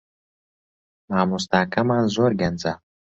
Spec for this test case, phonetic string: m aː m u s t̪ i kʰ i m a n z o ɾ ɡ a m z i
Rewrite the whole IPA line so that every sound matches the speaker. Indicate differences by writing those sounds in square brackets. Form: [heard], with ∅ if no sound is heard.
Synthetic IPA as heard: m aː m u s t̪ [a] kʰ [a] m a n z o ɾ ɡ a [n] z [a]